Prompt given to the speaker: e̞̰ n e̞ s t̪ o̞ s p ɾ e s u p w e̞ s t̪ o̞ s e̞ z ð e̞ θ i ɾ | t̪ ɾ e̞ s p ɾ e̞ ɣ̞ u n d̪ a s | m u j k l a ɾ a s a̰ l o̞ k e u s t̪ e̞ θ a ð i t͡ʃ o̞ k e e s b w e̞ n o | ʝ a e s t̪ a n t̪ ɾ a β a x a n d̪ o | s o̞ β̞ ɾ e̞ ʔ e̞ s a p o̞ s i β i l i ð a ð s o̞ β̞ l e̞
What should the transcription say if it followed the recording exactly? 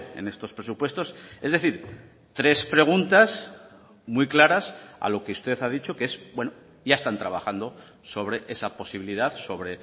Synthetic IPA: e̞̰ n e̞ s t̪ o̞ s p ɾ e s u p w e̞ s t̪ o̞ s e̞ z ð e̞ θ i ɾ | t̪ ɾ e̞ s p ɾ e̞ ɣ̞ u n t̪ a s | m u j k l a ɾ a s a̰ l o̞ k e u s t̪ e̞ θ a ð i t͡ʃ o̞ k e e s b w e̞ n o | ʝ a e s t̪ a n t̪ ɾ a β a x a n d̪ o | s o̞ β̞ ɾ e̞ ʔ e̞ s a p o̞ s i β i l i ð a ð s o̞ β̞ ɾ e̞

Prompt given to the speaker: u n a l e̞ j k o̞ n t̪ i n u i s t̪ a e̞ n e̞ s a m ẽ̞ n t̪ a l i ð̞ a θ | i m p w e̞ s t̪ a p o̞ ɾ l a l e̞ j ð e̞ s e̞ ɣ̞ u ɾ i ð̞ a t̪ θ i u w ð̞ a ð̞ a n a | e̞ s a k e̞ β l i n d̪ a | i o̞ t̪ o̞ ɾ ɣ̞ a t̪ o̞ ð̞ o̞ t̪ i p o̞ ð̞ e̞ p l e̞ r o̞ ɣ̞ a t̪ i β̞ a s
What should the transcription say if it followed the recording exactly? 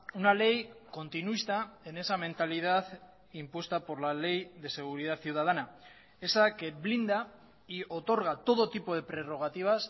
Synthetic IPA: u n a l e̞ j k o̞ n t̪ i n u i s t̪ a e̞ n e̞ s a m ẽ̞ n t̪ a l i ð̞ a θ | i m p w e̞ s t̪ a p o̞ ɾ l a l e̞ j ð e̞ s e̞ ɣ̞ u ɾ i ð̞ a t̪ θ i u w ð̞ a ð̞ a n a | e̞ s a k e̞ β l i n d̪ a | i o̞ t̪ o̞ ɾ ɣ̞ a t̪ o̞ ð̞ o̞ t̪ i p o̞ ð̞ e̞ p ɾ e̞ r o̞ ɣ̞ a t̪ i β̞ a s

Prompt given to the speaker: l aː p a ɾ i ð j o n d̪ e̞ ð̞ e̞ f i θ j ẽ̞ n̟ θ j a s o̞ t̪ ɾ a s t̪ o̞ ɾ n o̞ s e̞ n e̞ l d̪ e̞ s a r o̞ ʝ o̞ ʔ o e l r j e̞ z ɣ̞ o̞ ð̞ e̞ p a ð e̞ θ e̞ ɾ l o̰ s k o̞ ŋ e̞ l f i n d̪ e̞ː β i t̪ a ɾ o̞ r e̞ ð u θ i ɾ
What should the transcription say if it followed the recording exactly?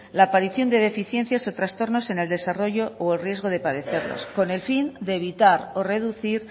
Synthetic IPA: l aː p a ɾ i θ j o n d̪ e̞ ð̞ e̞ f i θ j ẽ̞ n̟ θ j a s o̞ t̪ ɾ a s t̪ o̞ ɾ n o̞ s e̞ n e̞ l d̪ e̞ s a r o̞ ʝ o̞ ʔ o e l r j e̞ z ɣ̞ o̞ ð̞ e̞ p a ð e̞ θ e̞ ɾ l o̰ s k o̞ n e̞ l f i n d̪ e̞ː β i t̪ a ɾ o̞ r e̞ ð u θ i ɾ

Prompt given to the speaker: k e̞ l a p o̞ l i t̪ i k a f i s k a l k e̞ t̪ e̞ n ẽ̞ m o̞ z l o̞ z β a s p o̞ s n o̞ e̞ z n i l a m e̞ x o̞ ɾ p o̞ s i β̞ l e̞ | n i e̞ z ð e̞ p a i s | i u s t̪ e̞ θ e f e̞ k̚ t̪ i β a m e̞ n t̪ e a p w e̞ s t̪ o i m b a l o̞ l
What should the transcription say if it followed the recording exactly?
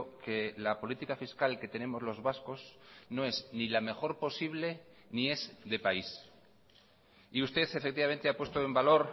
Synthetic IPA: k e̞ l a p o̞ l i t̪ i k a f i s k a l k e̞ t̪ e̞ n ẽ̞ m o̞ z l o̞ z β a s k o̞ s n o̞ e̞ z n i l a m e̞ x o̞ ɾ p o̞ s i β̞ l e̞ | n i e̞ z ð e̞ p a i s | i u s t̪ e̞ θ e f e̞ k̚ t̪ i β a m e̞ n t̪ e a p w e̞ s t̪ o e m b a l o̞ ɾ

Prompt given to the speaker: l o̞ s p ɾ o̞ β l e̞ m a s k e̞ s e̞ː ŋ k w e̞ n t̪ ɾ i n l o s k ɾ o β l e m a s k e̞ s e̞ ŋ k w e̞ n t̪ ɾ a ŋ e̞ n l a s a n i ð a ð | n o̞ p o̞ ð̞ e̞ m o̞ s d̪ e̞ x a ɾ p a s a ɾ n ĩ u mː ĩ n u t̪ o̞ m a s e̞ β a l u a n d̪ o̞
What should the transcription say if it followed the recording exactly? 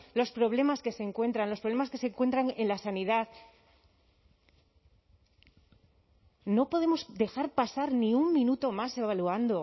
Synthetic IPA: l o̞ s p ɾ o̞ β l e̞ m a s k e̞ s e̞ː ŋ k w e̞ n t̪ ɾ a n l o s p ɾ o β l e m a s k e̞ s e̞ ŋ k w e̞ n t̪ ɾ a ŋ e̞ n l a s a n i ð a ð | n o̞ p o̞ ð̞ e̞ m o̞ s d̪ e̞ x a ɾ p a s a ɾ n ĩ u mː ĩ n u t̪ o̞ m a s e̞ β a l u a n d̪ o̞

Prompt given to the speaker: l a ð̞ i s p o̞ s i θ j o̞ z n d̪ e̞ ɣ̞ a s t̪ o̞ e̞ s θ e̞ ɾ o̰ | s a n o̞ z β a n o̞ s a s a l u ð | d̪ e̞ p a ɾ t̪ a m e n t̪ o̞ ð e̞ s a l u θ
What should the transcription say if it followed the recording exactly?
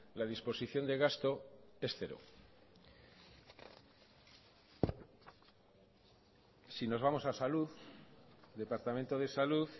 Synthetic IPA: l a ð̞ i s p o̞ s i θ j o̞ n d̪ e̞ ɣ̞ a s t̪ o̞ e̞ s θ e̞ ɾ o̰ | s i n o̞ z β a m o̞ s a s a l u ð | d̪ e̞ p a ɾ t̪ a m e n t̪ o̞ ð e̞ s a l u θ

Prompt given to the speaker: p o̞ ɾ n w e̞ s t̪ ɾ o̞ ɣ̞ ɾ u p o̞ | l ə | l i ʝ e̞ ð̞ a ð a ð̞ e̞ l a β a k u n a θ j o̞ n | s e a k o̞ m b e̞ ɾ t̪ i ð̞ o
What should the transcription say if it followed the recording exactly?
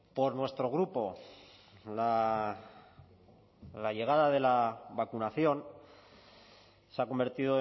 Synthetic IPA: p o̞ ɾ n w e̞ s t̪ ɾ o̞ ɣ̞ ɾ u p o̞ | l a | l a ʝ e̞ ɣ̞ a ð a ð̞ e̞ l a β a k u n a θ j o̞ n | s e a k o̞ m b e̞ ɾ t̪ i ð̞ o

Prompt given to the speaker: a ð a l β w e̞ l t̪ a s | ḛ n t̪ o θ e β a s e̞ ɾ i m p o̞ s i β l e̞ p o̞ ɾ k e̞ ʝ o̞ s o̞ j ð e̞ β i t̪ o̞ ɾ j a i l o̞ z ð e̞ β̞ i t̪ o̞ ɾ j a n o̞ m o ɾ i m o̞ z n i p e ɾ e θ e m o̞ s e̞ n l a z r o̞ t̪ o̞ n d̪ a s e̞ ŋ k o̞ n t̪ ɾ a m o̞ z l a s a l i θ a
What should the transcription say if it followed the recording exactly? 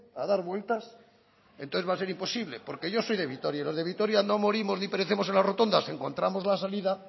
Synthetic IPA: a ð a ɾ β w e̞ l t̪ a s | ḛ n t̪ o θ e β a s e̞ ɾ i m p o̞ s i β l e̞ p o̞ ɾ k e̞ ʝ o̞ s o̞ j ð e̞ β i t̪ o̞ ɾ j a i l o̞ z ð e̞ β̞ i t̪ o̞ ɾ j a n o̞ m o ɾ i m o̞ z n i p e ɾ e θ e m o̞ s e̞ n l a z r o̞ t̪ o̞ n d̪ a s e̞ ŋ k o̞ n t̪ ɾ a m o̞ z l a s a l i ð a

